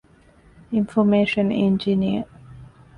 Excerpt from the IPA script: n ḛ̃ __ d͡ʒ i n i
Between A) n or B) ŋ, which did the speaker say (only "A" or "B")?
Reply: A